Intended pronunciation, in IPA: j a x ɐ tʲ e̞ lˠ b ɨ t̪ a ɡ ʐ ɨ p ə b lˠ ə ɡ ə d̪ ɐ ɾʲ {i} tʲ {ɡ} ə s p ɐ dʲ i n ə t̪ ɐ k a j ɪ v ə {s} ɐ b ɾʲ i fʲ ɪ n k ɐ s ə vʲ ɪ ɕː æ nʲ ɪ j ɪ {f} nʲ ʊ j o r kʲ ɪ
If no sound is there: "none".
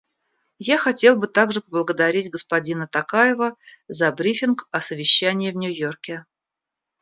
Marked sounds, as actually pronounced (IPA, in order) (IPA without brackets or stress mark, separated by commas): i, ɡ, z, v